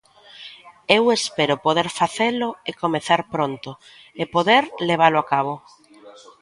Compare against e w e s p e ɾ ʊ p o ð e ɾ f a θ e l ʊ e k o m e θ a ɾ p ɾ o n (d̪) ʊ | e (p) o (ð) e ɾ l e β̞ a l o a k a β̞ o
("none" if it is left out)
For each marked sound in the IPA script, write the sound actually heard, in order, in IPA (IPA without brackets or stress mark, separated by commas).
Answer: t̪, p, ð